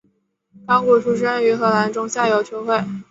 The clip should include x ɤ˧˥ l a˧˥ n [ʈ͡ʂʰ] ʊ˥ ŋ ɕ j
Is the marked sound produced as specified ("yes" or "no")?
no